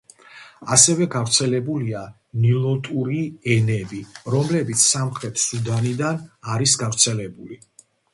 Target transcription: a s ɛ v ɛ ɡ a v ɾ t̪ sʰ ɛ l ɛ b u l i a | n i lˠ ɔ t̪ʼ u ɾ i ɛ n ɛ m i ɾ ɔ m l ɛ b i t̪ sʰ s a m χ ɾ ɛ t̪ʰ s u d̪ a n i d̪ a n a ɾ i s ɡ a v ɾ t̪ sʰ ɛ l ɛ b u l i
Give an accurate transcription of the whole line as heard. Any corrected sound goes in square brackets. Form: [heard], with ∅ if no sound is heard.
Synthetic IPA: a s ɛ v ɛ ɡ a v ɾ t̪ sʰ ɛ l ɛ b u l i a | n i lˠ ɔ t̪ʼ u ɾ i ɛ n ɛ [b] i ɾ ɔ m l ɛ b i t̪ sʰ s a m χ ɾ ɛ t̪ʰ s u d̪ a n i d̪ a n a ɾ i s ɡ a v ɾ t̪ sʰ ɛ l ɛ b u l i